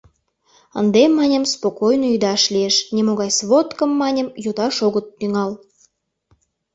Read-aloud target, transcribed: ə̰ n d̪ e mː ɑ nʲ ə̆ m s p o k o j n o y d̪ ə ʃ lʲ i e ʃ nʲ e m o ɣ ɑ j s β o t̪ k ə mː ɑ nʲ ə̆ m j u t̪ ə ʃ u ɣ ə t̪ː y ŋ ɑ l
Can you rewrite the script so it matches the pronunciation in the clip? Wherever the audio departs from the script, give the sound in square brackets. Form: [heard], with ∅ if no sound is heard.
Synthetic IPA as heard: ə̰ n d̪ e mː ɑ nʲ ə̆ m s p o k o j n o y d̪ [ɑ] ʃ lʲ i e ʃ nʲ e m o ɣ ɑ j s β o t̪ k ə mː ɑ nʲ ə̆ m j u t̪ [ɑ] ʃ [o] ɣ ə t̪ː y ŋ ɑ l